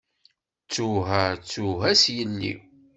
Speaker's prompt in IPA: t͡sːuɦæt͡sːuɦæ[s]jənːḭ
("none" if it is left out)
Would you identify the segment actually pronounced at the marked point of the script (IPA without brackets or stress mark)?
s